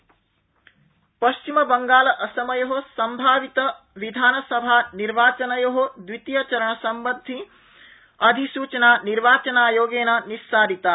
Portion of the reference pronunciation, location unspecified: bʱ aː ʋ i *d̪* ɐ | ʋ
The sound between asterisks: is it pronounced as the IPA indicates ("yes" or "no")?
no